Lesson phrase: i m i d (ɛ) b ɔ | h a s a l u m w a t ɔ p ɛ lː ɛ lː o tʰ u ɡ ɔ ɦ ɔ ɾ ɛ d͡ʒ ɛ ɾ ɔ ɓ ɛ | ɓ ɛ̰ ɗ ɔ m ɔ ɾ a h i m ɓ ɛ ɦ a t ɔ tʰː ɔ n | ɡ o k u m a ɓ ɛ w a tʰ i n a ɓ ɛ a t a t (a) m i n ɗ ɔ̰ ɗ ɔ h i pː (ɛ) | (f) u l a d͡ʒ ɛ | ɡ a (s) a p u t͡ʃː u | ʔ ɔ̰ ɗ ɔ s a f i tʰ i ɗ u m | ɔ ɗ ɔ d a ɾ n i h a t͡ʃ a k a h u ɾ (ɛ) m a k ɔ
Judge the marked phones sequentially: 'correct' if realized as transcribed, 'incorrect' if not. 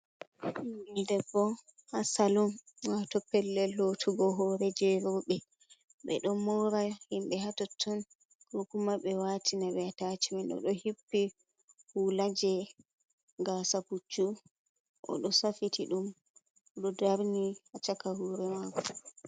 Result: correct, incorrect, incorrect, incorrect, correct, correct

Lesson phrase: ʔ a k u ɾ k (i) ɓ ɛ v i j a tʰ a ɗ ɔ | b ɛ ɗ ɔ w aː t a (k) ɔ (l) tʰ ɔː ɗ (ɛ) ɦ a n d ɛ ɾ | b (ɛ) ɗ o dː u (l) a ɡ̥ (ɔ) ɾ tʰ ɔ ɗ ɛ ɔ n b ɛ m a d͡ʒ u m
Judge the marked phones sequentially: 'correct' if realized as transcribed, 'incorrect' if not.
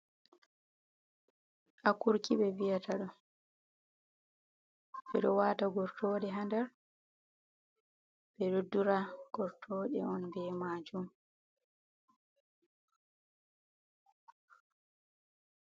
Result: correct, incorrect, incorrect, correct, correct, incorrect, correct

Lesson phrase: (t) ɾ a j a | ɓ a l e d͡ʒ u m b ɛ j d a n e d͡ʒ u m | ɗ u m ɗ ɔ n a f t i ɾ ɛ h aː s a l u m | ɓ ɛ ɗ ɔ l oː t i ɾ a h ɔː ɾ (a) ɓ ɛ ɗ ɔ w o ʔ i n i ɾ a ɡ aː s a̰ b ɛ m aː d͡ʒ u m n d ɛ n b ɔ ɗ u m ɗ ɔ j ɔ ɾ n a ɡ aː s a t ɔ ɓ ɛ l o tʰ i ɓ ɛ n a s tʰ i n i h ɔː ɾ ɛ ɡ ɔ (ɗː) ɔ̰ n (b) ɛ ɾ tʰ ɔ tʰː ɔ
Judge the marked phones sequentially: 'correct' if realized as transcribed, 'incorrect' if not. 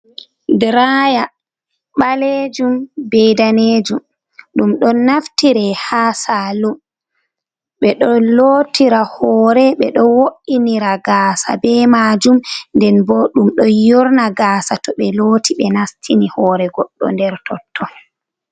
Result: incorrect, incorrect, correct, incorrect

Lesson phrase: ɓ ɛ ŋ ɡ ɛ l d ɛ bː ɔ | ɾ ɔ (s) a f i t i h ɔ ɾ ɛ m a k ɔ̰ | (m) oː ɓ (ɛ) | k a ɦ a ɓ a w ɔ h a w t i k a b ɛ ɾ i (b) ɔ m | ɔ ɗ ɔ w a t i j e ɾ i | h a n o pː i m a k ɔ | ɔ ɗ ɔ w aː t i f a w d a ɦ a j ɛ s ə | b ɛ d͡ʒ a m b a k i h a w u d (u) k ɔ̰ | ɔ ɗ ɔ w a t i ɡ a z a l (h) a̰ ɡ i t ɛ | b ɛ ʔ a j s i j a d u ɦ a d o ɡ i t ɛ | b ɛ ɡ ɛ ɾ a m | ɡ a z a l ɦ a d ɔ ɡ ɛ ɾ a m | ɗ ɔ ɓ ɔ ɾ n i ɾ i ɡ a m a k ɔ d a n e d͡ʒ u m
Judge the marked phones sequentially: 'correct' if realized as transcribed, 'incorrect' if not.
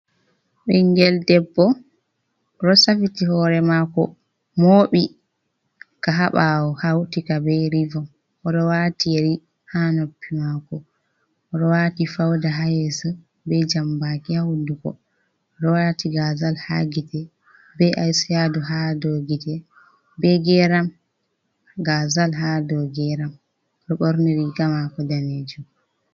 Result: correct, correct, incorrect, incorrect, correct, correct

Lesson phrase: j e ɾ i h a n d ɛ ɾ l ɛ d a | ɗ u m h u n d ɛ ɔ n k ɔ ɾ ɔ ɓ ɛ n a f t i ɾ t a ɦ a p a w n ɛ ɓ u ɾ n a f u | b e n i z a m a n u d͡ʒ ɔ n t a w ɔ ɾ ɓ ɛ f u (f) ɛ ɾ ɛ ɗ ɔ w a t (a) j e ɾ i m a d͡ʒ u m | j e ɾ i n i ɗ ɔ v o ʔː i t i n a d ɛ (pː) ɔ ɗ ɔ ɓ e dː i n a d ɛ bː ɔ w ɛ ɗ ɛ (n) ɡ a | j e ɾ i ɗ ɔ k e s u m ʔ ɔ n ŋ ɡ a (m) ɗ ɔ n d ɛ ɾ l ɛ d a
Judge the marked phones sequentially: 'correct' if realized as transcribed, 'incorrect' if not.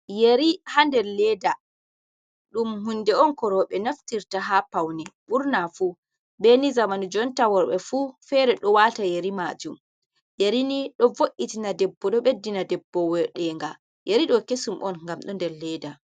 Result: correct, correct, incorrect, incorrect, correct

